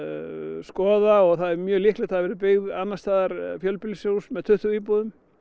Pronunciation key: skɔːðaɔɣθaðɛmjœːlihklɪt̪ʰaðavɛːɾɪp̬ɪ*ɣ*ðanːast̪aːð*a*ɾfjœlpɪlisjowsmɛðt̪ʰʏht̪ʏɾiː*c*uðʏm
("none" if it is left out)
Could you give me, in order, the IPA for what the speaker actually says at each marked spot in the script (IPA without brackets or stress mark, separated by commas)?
ɣ, a, p